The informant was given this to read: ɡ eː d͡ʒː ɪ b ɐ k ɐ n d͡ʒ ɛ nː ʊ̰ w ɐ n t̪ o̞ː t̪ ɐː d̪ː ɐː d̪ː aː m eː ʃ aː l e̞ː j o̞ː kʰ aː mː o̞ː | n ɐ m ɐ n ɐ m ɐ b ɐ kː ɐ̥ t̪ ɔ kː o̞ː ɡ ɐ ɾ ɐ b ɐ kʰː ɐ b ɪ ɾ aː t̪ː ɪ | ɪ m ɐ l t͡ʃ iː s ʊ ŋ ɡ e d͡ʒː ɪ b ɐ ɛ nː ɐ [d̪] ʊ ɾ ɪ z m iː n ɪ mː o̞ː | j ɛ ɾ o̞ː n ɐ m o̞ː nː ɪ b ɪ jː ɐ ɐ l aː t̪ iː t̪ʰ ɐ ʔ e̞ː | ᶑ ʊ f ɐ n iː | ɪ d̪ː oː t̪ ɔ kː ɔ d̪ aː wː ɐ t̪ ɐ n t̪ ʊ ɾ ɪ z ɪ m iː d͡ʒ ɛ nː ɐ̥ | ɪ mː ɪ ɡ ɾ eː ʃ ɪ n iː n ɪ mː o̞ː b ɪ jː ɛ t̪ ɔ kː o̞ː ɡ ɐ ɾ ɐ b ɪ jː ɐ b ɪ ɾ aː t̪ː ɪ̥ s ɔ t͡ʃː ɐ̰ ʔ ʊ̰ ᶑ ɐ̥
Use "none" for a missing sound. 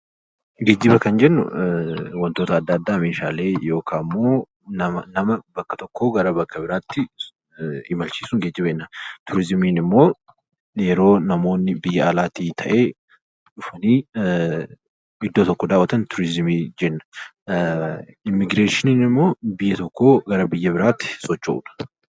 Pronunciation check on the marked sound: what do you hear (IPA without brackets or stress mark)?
t̪